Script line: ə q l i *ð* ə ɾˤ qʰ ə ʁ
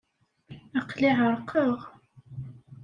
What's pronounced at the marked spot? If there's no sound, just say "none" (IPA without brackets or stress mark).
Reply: ʕ